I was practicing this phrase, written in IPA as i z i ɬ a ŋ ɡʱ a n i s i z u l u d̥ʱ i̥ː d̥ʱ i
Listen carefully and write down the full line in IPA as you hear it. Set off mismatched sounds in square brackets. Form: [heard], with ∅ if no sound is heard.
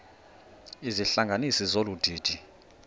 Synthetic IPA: i z i ɬ a ŋ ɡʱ a n i s i z [o] l u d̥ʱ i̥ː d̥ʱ i